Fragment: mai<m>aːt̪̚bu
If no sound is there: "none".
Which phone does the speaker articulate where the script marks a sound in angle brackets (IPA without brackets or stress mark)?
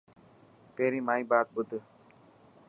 b